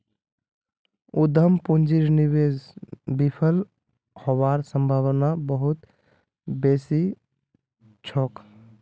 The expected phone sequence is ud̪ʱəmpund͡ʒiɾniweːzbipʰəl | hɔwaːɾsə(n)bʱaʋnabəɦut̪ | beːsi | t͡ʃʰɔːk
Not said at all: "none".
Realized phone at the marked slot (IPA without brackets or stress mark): m